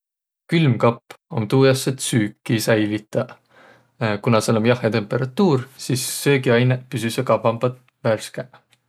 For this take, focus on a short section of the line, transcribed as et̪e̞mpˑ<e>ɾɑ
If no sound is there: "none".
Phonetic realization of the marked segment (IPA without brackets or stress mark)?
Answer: e